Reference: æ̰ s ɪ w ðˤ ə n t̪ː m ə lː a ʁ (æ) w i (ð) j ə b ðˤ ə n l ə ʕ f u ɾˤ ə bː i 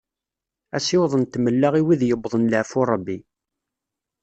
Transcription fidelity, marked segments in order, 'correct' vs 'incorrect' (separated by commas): incorrect, correct